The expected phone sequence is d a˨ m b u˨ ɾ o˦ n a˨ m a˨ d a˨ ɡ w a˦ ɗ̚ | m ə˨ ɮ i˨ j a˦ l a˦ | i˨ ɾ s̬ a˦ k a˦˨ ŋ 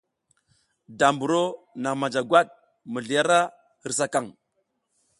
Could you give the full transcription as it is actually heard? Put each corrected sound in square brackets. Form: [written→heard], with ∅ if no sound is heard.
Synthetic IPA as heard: d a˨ m b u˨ ɾ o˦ n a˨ m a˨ [d→d͡ʒ] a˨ ɡ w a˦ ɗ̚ | m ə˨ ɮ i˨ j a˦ [l→ɾ] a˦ | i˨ ɾ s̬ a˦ k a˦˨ ŋ